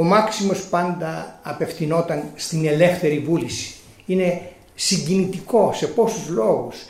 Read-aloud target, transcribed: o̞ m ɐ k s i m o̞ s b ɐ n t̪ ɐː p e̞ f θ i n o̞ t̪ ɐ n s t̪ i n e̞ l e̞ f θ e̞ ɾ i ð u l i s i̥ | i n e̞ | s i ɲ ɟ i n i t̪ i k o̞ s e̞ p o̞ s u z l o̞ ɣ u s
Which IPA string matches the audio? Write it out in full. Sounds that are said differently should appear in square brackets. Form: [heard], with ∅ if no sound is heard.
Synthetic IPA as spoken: o̞ m ɐ k s i m o̞ s [p] ɐ n [d̪] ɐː p e̞ f θ i n o̞ t̪ ɐ n s t̪ i n e̞ l e̞ f θ e̞ ɾ i [v] u l i s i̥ | i n e̞ | s i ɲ ɟ i n i t̪ i k o̞ s e̞ p o̞ s u z l o̞ ɣ u s